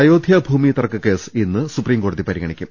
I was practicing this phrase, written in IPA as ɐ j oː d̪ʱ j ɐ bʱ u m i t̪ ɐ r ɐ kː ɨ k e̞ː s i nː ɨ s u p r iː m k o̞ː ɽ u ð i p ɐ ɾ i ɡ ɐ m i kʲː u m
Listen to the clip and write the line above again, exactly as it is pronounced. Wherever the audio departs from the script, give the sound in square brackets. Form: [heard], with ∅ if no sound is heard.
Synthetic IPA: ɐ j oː d̪ʱ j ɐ bʱ [uː] m i t̪ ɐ r ɐ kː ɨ k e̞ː s i nː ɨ s u p r iː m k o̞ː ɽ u ð i p ɐ ɾ i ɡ ɐ [ɳ] i kʲː u m